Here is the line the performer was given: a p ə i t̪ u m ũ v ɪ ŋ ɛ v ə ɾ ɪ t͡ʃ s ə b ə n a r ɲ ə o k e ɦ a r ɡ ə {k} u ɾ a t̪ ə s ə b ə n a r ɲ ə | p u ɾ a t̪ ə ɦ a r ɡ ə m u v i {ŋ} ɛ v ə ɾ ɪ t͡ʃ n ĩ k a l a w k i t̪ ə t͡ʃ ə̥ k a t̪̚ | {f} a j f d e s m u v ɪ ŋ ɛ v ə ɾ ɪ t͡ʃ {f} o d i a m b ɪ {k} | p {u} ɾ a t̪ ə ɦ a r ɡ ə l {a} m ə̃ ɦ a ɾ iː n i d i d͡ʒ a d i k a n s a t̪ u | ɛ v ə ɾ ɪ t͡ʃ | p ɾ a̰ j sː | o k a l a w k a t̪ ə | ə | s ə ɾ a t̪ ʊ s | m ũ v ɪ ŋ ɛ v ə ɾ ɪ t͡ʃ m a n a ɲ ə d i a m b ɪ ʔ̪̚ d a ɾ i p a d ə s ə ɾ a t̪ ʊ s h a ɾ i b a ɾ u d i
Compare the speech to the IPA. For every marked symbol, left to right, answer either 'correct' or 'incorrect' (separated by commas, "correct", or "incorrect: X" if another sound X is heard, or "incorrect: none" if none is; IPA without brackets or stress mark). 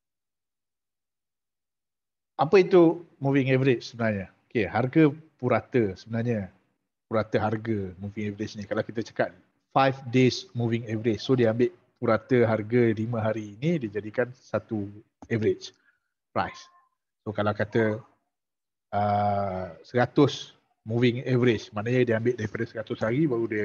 incorrect: p, correct, correct, incorrect: s, incorrect: ʔ, correct, incorrect: i